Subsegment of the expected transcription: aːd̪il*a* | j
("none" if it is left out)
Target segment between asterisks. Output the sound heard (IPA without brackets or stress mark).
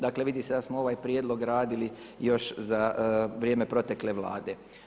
i